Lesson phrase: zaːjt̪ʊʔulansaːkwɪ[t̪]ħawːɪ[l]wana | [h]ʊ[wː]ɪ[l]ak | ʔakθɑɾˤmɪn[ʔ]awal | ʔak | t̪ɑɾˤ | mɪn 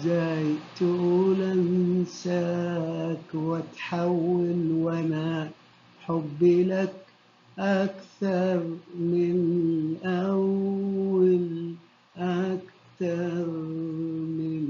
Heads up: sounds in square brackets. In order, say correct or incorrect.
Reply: correct, correct, incorrect, incorrect, correct, correct

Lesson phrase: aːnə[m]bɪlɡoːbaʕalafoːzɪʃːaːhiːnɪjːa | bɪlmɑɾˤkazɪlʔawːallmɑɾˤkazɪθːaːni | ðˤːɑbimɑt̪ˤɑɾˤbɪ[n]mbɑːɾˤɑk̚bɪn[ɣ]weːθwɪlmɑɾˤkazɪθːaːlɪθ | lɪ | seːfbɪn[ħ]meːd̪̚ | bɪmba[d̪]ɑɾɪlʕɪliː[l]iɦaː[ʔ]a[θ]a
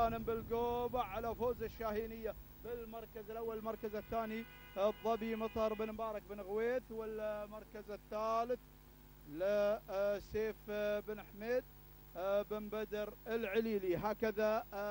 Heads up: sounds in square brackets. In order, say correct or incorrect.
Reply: correct, correct, correct, correct, correct, correct, incorrect, incorrect

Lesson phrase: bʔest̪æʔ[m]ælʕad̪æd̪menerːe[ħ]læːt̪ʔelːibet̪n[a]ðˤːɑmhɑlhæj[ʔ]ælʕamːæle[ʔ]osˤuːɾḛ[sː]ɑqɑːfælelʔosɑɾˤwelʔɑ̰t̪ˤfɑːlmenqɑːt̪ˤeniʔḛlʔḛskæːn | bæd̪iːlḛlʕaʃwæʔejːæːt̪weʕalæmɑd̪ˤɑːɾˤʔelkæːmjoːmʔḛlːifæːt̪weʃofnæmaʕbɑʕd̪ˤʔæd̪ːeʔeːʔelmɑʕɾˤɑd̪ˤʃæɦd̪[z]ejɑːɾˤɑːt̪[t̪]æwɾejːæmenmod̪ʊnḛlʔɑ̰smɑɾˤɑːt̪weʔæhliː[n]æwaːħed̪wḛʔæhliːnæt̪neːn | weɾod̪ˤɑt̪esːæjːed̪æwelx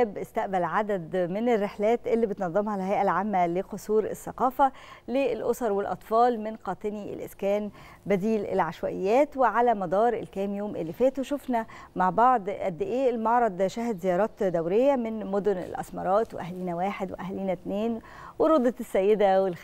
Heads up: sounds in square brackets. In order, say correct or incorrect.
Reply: incorrect, correct, incorrect, correct, incorrect, correct, correct, incorrect, correct

